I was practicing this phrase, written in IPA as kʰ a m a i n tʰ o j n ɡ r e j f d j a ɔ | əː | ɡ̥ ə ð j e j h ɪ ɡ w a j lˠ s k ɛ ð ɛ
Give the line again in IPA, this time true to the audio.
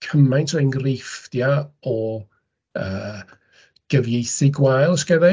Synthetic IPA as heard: kʰ ə m a j n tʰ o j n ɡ r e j f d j a ɔ | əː | ɡ̥ ə v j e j θ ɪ ɡ w a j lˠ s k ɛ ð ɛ